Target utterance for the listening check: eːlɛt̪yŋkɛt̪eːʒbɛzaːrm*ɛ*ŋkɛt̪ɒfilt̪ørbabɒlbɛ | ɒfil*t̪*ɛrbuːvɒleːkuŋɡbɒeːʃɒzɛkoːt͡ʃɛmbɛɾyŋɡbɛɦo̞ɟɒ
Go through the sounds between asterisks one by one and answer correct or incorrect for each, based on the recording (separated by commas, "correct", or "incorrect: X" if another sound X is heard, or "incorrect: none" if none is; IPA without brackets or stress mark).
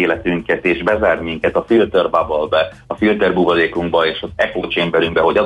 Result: incorrect: i, correct